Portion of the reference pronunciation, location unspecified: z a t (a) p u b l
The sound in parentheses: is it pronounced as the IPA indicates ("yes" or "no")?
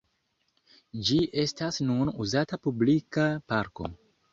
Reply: yes